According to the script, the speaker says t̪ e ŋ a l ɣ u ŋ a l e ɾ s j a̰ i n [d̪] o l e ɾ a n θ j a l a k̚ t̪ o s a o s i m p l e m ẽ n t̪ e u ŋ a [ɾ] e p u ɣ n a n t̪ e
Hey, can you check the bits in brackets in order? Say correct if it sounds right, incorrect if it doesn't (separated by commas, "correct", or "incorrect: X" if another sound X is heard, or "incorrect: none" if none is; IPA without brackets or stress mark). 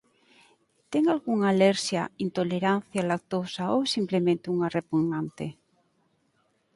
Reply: incorrect: t̪, incorrect: r